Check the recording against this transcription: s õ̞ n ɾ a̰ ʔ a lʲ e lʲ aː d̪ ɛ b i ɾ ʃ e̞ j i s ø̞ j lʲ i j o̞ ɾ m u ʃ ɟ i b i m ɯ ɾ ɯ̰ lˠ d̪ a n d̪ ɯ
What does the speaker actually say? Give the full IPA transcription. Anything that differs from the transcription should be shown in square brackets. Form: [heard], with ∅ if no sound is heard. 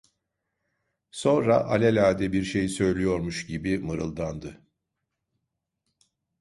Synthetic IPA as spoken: s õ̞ n ɾ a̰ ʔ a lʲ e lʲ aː d̪ ɛ b i ɾ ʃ e̞ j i s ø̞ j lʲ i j o̞ ɾ m u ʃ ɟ i b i m ɯ ɾ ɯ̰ lˠ d̪ a n d̪ ɯ